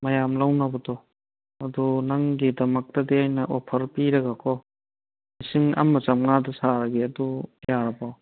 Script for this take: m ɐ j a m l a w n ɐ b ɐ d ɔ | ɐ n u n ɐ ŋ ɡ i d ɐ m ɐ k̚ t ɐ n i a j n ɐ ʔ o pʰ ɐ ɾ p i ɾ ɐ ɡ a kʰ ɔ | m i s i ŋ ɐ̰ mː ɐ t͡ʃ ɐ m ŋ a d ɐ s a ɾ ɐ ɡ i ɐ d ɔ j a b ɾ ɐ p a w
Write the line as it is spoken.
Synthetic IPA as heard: m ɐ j a m l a w n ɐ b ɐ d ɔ | ɐ d u n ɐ ŋ ɡ i d ɐ m ɐ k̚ t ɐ d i a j n ɐ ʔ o pʰ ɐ ɾ p i ɾ ɐ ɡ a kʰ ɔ | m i s i ŋ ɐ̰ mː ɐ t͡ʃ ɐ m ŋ a d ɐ s a ɾ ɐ ɡ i ɐ d u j a ɾ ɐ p a w